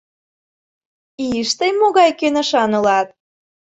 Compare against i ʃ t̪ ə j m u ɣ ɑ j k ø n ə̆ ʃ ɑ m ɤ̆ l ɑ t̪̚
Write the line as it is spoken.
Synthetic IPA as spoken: i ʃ t̪ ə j m o ɣ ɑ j k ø n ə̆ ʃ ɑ n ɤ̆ l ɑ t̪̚

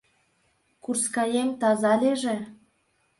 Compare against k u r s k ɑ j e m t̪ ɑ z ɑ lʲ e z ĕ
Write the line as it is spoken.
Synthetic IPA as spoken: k u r s k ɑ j e m t̪ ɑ z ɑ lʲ e ʒ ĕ

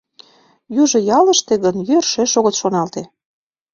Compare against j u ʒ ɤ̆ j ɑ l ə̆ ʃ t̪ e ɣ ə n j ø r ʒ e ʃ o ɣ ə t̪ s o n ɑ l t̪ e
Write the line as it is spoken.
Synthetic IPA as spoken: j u ʒ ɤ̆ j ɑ l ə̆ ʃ t̪ e ɣ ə n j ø r ʃ e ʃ o ɣ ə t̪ ʃ o n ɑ l t̪ e

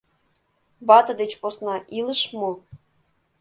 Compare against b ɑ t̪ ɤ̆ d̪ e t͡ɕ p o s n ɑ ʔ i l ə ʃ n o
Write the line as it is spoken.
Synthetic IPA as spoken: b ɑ t̪ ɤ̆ d̪ e t͡ɕ p o s n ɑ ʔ i l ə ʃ m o

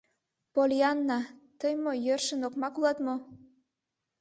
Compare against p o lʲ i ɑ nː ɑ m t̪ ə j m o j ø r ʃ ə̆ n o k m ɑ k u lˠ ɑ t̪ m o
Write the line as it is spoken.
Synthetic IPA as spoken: p o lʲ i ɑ nː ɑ t̪ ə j m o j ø r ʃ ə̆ n o k m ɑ k u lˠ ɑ t̪ m o

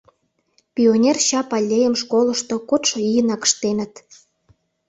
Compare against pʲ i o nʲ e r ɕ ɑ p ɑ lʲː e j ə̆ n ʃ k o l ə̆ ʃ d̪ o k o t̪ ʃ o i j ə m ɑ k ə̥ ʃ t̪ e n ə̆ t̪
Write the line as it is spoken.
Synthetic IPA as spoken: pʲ i o nʲ e r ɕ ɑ p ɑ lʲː e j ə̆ m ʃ k o l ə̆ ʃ t̪ o k o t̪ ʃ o i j ə n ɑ k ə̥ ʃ t̪ e n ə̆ t̪

